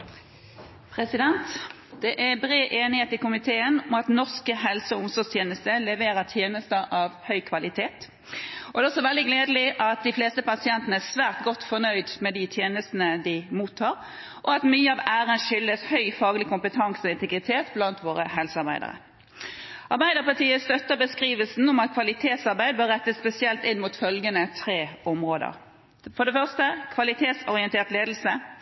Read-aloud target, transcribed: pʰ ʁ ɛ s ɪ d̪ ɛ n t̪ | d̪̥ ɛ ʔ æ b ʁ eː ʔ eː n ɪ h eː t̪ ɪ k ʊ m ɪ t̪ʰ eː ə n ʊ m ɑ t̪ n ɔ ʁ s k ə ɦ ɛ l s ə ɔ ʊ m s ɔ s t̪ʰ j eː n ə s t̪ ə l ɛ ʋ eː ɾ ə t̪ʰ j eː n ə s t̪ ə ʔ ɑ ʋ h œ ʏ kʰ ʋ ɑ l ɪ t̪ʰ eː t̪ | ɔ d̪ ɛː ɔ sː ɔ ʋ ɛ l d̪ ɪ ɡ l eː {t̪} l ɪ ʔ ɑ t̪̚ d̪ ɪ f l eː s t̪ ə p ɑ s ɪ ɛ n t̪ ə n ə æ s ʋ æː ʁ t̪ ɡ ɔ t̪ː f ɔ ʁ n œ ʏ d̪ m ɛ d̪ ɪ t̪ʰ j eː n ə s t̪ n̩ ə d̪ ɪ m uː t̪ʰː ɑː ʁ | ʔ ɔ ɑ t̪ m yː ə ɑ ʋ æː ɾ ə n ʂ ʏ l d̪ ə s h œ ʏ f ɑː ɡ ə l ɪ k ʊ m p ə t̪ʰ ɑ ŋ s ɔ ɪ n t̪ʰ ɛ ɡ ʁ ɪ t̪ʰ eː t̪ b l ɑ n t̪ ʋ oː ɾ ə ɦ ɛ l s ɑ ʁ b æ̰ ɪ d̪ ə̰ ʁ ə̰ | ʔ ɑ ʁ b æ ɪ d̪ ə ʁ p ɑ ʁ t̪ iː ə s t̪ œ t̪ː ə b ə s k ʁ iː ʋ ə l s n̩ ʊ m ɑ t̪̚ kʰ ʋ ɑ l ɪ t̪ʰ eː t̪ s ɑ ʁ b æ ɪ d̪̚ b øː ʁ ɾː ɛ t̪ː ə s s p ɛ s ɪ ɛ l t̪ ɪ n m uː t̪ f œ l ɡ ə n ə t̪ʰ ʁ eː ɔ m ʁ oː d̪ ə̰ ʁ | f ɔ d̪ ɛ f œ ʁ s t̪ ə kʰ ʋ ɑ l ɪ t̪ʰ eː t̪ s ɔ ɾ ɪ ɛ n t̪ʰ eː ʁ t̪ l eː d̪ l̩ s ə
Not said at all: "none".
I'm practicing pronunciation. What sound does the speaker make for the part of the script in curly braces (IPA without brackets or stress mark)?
d̪